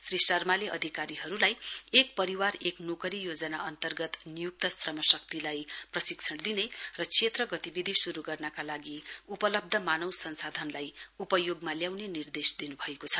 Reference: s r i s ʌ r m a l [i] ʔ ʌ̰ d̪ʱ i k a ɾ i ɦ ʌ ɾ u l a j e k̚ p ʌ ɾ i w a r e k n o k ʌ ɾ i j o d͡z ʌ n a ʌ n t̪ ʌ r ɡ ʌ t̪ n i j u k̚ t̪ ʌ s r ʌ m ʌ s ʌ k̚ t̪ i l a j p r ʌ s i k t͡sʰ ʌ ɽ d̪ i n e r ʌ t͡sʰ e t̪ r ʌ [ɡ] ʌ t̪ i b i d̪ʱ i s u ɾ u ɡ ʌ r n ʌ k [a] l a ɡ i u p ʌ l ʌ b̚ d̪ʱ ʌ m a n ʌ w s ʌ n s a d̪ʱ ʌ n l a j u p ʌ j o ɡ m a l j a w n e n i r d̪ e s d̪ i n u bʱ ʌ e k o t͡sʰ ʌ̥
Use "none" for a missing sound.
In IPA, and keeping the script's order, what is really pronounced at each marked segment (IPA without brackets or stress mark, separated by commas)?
e, ɡ, a